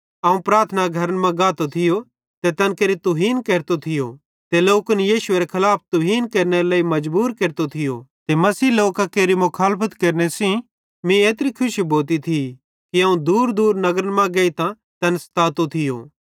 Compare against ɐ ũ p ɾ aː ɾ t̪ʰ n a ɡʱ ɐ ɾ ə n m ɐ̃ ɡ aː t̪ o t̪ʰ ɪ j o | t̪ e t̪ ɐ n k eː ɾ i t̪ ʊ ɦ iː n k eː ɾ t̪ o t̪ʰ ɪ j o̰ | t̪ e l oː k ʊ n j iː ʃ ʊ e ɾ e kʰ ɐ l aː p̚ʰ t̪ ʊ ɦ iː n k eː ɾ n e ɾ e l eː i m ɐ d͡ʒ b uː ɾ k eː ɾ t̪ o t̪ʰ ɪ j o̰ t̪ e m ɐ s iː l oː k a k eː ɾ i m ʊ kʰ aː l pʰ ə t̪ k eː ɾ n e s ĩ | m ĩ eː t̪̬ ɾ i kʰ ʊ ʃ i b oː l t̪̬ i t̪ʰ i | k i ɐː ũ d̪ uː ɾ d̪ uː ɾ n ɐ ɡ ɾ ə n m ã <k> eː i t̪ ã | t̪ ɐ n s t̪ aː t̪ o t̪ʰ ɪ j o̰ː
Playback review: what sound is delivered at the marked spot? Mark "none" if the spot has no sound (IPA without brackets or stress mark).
ɡ